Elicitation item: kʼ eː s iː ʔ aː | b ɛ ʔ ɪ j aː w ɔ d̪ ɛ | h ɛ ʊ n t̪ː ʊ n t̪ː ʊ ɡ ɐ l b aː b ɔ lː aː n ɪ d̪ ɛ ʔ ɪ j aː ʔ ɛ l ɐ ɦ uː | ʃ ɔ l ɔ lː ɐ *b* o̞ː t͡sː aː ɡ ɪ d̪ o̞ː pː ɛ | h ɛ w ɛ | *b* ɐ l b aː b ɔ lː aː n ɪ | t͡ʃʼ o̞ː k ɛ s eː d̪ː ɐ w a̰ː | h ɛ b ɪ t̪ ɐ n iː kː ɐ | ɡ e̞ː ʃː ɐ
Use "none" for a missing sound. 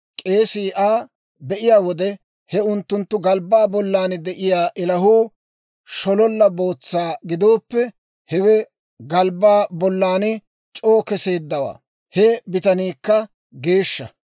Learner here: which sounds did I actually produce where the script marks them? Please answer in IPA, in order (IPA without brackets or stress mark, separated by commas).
b, ɡ